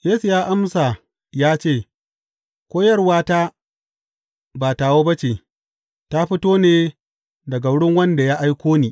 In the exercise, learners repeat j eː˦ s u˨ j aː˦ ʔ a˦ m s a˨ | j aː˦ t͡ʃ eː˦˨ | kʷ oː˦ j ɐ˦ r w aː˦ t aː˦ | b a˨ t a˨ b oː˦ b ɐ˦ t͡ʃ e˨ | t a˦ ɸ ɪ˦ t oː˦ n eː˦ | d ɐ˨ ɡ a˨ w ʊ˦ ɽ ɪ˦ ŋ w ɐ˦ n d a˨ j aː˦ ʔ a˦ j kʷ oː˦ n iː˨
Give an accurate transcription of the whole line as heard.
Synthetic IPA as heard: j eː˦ s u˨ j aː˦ ʔ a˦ m s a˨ | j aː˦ t͡ʃ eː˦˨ | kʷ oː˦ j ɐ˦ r w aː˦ t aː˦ | b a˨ t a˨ w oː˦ b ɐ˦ t͡ʃ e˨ | t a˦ ɸ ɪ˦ t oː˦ n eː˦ | d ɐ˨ ɡ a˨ w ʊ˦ ɽ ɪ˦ ŋ w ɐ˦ n d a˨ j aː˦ ʔ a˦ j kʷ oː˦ n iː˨

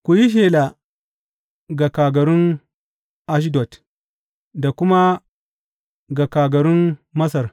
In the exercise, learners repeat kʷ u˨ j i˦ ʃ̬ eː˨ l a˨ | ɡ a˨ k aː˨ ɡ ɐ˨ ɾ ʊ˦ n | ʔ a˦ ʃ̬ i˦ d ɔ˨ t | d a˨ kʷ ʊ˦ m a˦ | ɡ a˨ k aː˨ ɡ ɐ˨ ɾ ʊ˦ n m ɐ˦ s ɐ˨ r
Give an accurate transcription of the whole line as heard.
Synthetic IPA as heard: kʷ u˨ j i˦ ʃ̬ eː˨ l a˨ | ɡ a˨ k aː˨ ɡ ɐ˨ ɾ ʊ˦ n | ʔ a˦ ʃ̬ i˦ d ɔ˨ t | d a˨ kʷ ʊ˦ m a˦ | ɡ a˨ k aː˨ ɡ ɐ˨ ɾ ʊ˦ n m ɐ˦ s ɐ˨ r

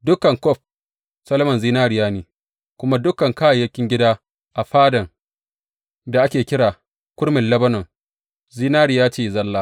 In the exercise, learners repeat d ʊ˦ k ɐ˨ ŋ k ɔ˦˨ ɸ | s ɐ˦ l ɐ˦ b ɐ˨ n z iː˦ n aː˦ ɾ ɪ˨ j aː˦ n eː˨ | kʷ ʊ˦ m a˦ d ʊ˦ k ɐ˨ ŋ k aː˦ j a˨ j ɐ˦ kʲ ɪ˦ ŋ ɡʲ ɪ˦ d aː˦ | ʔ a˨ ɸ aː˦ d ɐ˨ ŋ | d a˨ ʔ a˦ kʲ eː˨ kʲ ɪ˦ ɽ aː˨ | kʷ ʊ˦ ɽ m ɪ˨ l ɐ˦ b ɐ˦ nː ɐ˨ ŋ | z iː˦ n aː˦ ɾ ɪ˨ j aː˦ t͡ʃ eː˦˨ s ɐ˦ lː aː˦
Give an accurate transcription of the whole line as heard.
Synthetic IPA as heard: d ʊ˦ k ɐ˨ ŋ k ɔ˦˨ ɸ | s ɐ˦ l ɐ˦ m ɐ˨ n z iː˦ n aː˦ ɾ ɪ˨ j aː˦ n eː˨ | kʷ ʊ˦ m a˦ d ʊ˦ k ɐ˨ ŋ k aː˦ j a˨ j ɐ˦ kʲ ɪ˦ ŋ ɡʲ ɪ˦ d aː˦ | ʔ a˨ ɸ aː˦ d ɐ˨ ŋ | d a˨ ʔ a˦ kʲ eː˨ kʲ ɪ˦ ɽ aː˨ | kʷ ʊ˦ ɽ m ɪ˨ l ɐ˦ b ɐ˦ n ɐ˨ ŋ | z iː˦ n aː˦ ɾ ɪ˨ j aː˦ t͡ʃ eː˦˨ z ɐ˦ lː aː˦

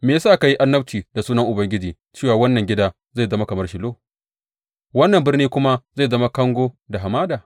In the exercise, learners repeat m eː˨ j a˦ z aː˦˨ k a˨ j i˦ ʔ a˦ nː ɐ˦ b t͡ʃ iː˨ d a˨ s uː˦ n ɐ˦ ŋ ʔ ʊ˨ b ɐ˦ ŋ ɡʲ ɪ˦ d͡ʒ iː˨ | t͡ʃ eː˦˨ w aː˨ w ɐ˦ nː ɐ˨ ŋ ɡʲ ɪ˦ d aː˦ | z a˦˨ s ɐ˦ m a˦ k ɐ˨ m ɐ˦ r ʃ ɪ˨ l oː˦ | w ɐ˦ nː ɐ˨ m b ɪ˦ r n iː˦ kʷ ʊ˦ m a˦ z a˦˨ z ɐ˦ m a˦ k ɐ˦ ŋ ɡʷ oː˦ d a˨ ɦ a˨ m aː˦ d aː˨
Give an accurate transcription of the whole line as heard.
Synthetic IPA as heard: m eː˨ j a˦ s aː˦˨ k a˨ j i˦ ʔ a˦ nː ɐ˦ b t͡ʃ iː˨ d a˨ s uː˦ n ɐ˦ ŋ ʔ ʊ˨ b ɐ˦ ŋ ɡʲ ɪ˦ d͡ʒ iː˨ | t͡ʃ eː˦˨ w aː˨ w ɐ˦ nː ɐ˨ ŋ ɡʲ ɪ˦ d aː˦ | z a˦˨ z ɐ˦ m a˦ k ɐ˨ m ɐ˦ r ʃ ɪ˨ l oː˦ | w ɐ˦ nː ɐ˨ m b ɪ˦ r n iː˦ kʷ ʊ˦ m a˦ z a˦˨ z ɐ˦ m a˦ k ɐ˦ ŋ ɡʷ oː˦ d a˨ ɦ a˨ m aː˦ d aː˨

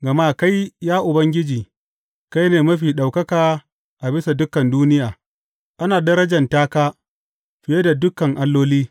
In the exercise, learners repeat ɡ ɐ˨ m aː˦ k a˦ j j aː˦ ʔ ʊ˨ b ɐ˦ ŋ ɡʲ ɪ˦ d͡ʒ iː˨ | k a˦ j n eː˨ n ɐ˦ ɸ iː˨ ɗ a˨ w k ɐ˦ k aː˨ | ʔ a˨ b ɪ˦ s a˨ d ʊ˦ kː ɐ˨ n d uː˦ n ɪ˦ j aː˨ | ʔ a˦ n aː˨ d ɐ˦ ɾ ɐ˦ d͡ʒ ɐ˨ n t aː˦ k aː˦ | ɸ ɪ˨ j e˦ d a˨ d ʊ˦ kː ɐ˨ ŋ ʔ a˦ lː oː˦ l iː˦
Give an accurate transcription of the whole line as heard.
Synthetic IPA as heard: ɡ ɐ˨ m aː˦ k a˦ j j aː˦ ʔ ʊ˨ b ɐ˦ ŋ ɡʲ ɪ˦ d͡ʒ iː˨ | k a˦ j n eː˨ m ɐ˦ ɸ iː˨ ɗ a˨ w k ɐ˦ k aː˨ | ʔ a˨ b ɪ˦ s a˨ d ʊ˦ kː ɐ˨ n d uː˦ n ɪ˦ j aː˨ | ʔ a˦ n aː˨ d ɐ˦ ɾ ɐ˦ d͡ʒ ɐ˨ n t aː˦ k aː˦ | ɸ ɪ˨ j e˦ d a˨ d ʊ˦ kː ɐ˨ ŋ ʔ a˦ lː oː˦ l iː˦

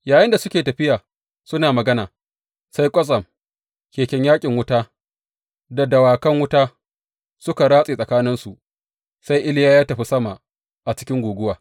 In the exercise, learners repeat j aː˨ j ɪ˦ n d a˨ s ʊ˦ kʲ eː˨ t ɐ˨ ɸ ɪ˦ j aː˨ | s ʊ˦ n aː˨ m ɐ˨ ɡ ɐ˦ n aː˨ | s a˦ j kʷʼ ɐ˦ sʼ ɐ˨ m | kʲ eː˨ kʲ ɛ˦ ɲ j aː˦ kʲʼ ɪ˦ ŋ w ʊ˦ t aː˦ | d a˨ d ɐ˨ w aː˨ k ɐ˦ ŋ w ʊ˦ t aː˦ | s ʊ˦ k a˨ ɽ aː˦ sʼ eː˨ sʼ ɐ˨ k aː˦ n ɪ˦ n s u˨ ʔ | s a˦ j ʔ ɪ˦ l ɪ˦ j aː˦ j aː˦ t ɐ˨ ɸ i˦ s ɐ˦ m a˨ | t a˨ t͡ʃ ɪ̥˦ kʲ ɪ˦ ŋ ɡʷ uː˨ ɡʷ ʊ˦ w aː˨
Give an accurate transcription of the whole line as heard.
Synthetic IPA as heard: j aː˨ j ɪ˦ n d a˨ s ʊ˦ kʲ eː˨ t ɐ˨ ɸ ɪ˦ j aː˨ | s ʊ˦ n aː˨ m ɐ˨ ɡ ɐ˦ n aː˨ | s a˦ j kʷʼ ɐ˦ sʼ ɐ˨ m | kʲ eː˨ kʲ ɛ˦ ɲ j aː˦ kʲʼ ɪ˨ ŋ w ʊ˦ t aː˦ | d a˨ d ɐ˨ w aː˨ k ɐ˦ ŋ w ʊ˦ t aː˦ | s ʊ˦ k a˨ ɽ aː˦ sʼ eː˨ sʼ ɐ˨ k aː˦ n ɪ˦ n s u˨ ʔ | s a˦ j ʔ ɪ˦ l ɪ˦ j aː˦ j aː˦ t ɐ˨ ɸ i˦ s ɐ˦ m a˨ | ʔ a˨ t͡ʃ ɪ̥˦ kʲ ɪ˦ ŋ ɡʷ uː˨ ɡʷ ʊ˦ w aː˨

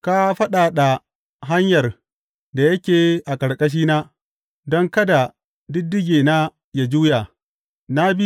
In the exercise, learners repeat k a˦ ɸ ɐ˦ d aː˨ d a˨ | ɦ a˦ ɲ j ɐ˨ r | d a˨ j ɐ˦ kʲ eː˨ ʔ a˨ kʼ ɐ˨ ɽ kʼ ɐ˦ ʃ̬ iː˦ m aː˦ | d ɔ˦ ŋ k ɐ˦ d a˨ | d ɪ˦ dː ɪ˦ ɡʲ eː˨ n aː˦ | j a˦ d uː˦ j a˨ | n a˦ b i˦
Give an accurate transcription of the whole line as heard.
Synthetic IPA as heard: k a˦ ɸ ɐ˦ ɗ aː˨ ɗ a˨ | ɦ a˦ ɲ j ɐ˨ r | d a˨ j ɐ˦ kʲ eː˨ ʔ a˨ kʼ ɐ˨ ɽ kʼ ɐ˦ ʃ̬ iː˦ n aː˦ | d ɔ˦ ŋ k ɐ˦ d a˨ | d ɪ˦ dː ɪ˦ ɡʲ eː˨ n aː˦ | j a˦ d͡ʒ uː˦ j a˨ | n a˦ b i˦

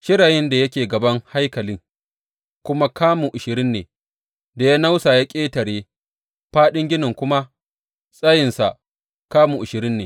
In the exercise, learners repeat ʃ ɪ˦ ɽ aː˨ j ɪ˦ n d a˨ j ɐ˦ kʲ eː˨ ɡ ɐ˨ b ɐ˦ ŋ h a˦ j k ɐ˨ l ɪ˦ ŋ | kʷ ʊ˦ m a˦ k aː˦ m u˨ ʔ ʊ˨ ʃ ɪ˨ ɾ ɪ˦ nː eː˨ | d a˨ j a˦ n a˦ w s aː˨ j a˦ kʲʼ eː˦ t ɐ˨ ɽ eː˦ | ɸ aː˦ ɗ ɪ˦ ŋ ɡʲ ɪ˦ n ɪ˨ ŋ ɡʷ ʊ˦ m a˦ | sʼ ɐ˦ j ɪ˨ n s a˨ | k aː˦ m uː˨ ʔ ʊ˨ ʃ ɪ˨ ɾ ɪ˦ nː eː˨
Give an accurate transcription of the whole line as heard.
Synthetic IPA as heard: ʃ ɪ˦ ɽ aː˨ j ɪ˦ n d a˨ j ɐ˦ kʲ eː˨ ɡ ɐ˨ b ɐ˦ ŋ h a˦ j k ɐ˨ l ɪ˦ ŋ | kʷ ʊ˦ m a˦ k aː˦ m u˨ ʔ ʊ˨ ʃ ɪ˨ ɾ ɪ˦ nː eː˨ | d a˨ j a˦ n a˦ w s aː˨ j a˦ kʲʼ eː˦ t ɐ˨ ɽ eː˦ | ɸ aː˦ ɗ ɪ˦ ŋ ɡʲ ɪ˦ n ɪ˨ ŋ kʷ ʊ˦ m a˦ | sʼ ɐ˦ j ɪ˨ n s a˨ | k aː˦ m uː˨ ʔ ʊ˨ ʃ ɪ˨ ɾ ɪ˦ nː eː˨

